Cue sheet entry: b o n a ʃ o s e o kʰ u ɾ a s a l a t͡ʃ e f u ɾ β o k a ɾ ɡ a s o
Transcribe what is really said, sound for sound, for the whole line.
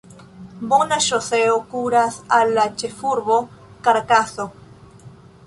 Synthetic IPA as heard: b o n a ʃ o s e o k u ɾ a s a l a t͡ʃ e f u ɾ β o k a ɾ k a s o